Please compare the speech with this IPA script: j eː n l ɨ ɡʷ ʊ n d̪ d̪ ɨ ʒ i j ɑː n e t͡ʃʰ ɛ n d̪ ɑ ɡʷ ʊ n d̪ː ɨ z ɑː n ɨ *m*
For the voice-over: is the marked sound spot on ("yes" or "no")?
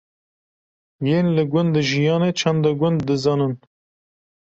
no